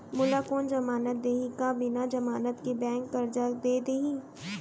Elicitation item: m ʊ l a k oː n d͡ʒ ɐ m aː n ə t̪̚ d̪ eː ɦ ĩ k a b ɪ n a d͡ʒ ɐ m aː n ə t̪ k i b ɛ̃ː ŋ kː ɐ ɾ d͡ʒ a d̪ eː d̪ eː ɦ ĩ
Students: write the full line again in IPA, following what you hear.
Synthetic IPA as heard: m ʊ l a k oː n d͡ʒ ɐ m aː n ə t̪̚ d̪ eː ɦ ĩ k a b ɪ n a d͡ʒ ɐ m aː n ə t̪ k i b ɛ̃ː ŋ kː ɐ ɾ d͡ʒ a d̪ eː d̪ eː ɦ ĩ